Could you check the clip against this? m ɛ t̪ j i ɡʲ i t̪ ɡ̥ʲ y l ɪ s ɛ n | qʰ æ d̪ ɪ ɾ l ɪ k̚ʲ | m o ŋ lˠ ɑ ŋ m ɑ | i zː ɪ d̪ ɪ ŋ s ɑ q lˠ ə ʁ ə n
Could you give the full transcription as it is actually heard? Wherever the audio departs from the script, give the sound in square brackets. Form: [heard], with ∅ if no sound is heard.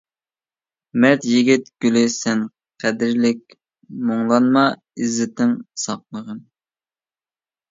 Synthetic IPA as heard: m ɛ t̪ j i ɡʲ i t̪ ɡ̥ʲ y l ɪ s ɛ n | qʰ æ d̪ ɪ ɾ l ɪ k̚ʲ | m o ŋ lˠ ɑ [n] m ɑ | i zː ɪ [t̪] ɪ ŋ s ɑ q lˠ ə ʁ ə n